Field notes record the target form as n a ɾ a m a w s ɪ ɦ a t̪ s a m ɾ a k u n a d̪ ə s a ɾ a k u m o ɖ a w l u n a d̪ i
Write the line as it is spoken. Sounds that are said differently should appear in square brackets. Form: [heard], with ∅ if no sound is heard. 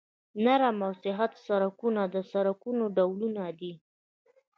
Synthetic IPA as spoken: n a ɾ a m a w s ɪ ɦ a t̪ s a [∅] ɾ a k u n a d̪ ə s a ɾ a k u [n] o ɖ a w l u n a d̪ i